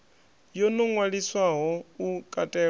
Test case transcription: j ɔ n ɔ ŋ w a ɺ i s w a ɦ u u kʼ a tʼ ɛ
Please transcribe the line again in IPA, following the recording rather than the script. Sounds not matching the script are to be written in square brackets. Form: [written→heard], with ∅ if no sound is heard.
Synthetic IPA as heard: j ɔ n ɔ ŋ w a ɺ i s w a ɦ [u→ɔ] u kʼ a tʼ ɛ

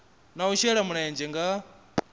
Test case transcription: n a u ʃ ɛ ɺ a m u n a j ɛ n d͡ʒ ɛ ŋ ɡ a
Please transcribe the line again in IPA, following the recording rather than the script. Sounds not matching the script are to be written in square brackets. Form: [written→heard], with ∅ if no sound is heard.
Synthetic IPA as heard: n a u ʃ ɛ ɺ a m u n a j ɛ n d͡ʒ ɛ ŋ ɡ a

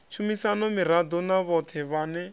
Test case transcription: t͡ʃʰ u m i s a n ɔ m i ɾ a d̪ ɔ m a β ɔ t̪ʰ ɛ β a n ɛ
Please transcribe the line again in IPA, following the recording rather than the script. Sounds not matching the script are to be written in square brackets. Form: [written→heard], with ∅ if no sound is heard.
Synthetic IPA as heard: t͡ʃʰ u m i s a n ɔ m i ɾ a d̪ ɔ [m→n] a β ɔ t̪ʰ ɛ β a n ɛ

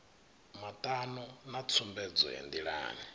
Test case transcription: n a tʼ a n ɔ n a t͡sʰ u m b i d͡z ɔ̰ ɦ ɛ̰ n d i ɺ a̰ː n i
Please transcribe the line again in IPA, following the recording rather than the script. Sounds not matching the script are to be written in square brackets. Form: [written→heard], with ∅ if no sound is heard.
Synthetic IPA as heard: [n→m] a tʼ a n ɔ n a t͡sʰ u m b [i→ɛ] d͡z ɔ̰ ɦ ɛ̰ n d i ɺ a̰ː n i

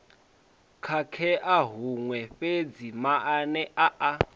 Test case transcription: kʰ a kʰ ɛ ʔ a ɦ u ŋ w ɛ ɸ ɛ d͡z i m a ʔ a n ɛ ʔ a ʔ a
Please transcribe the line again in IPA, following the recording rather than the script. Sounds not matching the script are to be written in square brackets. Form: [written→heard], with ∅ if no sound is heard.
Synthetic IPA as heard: kʰ a kʰ ɛ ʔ a ɦ u ŋ w ɛ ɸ [ɛ→e] d͡z i m a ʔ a n ɛ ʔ a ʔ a

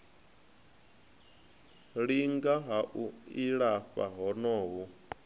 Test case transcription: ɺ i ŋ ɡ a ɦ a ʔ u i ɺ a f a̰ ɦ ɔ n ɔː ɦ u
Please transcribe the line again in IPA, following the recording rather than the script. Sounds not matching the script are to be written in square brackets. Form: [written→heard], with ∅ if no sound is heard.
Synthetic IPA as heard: ɺ i ŋ ɡ a ɦ a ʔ u i ɺ a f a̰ ɦ ɔ n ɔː ɦ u

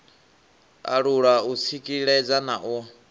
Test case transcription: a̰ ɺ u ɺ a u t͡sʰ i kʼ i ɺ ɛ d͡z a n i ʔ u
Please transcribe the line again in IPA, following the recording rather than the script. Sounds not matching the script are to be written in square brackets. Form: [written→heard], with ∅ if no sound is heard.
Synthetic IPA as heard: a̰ ɺ u ɺ a u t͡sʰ i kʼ i ɺ ɛ d͡z a n [i→a] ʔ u

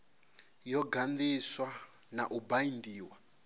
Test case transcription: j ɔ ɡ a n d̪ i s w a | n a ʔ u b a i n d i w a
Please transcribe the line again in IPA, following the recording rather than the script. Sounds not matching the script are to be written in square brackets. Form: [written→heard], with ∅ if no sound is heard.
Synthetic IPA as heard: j ɔ ɡ a n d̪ i s w a | n a ʔ u b a i n d [i→iː] w a

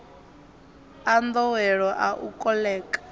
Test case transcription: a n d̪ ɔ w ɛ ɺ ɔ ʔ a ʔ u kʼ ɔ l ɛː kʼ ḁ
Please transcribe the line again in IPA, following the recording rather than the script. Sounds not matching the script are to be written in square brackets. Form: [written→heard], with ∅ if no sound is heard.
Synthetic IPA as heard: a n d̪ ɔ w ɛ ɺ ɔ ʔ a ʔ u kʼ ɔ l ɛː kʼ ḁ

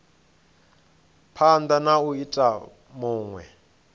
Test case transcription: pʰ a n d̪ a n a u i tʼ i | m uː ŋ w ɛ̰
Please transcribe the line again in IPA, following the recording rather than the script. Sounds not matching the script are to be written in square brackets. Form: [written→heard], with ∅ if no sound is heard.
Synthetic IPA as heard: pʰ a n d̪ a n a u i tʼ [i→a] | m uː ŋ w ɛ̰

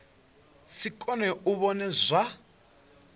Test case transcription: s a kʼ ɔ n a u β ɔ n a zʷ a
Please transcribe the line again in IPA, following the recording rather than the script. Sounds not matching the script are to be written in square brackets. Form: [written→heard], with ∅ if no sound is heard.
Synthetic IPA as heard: s [a→i] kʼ ɔ n [a→ɛ] u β ɔ n [a→ɛ] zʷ a

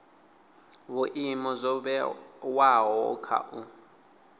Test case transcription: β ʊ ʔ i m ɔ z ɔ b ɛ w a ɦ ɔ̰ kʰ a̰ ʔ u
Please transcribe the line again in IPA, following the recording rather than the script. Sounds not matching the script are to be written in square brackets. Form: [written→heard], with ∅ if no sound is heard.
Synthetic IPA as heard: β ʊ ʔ i m ɔ z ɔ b ɛ w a ɦ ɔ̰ kʰ a̰ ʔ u

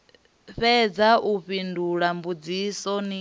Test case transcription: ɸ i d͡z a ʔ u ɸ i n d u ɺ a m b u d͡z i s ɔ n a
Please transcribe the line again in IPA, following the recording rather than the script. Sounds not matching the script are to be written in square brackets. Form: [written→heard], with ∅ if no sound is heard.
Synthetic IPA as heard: ɸ [i→ɛ] d͡z a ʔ u ɸ i n d u ɺ a m b u d͡z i s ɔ n [a→i]

